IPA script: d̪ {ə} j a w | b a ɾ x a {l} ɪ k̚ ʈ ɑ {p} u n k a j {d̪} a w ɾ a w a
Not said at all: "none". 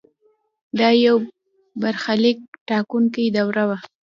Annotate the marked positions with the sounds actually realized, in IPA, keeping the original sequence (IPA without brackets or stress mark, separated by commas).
ɑ, l, k, d̪